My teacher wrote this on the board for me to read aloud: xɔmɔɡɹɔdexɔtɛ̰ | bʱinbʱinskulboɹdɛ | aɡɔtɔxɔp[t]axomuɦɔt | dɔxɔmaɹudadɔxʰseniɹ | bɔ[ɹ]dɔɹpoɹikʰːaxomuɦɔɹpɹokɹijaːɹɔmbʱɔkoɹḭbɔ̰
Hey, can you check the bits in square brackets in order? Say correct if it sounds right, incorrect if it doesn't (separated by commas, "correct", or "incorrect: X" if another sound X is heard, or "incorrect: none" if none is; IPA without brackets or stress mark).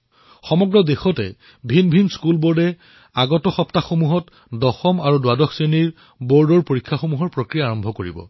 correct, correct